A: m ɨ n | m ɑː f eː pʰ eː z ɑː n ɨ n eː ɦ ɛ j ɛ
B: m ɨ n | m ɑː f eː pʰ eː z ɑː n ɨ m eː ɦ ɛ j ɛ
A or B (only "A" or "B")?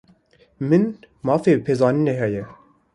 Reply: A